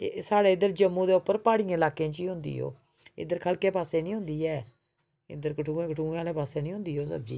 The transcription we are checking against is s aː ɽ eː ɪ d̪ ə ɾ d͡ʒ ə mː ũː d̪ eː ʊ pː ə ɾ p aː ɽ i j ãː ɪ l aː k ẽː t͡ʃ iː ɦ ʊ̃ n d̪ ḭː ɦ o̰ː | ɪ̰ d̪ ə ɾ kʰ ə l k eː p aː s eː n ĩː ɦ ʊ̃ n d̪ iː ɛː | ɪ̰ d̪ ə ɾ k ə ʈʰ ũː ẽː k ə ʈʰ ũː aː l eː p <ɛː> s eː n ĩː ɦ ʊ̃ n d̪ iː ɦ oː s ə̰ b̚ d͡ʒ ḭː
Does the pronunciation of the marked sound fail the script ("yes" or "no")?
yes